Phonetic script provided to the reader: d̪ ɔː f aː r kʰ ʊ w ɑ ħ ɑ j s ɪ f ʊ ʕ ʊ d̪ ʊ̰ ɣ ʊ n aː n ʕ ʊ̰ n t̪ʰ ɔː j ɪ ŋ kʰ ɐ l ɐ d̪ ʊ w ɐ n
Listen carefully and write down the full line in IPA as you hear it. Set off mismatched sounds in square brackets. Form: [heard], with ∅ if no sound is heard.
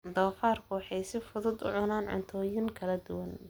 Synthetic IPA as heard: d̪ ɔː f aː r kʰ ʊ w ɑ ħ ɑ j s ɪ f ʊ [ð] ʊ d̪ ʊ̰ [ʕ] ʊ n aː n ʕ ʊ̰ n t̪ʰ ɔː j ɪ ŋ kʰ ɐ l ɐ d̪ ʊ w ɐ n